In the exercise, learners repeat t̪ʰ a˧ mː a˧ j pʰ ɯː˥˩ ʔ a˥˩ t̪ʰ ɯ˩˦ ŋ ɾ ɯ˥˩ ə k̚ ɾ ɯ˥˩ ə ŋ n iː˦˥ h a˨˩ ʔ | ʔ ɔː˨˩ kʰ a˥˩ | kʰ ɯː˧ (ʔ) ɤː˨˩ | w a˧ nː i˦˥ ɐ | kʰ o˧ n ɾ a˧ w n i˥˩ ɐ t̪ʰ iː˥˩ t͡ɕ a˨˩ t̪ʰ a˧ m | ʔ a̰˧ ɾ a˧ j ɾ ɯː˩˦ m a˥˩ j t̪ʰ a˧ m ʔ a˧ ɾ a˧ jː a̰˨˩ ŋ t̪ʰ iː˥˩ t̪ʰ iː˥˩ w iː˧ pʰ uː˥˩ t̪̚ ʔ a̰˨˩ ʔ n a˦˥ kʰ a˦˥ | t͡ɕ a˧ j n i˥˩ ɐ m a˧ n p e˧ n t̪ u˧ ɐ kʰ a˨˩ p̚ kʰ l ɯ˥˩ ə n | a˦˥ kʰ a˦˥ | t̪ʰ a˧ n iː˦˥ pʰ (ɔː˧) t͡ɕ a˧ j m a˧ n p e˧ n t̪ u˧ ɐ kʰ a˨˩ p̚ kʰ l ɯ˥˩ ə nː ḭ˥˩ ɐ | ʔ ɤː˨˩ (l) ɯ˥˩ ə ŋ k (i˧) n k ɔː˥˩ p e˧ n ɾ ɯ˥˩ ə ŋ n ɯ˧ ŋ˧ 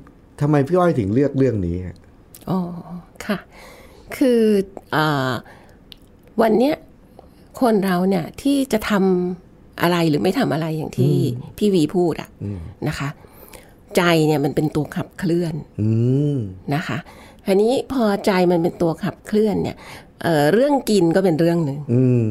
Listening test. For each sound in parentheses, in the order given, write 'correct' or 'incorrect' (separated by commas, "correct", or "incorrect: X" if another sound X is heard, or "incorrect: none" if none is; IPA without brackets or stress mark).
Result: correct, correct, incorrect: ɾ, correct